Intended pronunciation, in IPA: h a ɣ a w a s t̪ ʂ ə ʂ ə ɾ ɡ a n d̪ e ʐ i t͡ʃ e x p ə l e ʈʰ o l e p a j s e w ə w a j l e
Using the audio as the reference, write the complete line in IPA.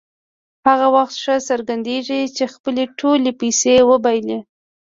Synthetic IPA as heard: h a ɣ a w a x t̪ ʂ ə s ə ɾ ɡ a n d̪ e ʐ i t͡ʃ e x p ə l e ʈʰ o l e p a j s e w ə b a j l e